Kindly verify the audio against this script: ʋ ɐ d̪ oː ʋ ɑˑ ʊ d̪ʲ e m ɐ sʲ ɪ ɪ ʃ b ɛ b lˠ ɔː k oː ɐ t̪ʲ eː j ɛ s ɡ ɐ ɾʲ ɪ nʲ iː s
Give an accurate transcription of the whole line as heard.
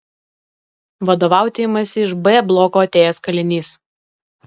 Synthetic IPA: ʋ ɐ d̪ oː ʋ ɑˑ ʊ t̪ʲ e m ɐ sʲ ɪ ɪ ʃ b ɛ b lˠ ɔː k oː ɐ t̪ʲ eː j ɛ s k ɐ lʲ ɪ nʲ iː s